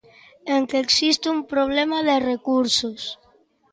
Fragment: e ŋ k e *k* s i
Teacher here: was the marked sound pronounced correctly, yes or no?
yes